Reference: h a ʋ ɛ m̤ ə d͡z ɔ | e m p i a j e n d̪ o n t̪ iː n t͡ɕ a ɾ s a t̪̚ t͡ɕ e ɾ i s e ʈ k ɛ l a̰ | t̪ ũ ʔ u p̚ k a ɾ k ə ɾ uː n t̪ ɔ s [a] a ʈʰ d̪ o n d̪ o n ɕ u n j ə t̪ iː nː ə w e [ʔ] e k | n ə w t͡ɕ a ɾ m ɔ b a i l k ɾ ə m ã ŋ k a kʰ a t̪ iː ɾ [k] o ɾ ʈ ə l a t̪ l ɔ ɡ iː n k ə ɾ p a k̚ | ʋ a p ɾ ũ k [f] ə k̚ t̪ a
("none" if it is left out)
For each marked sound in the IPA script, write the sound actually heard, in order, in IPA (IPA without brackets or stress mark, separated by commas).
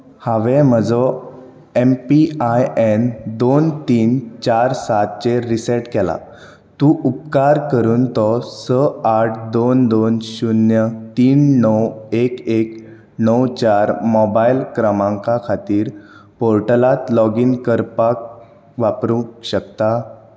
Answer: ə, k, p, ɕ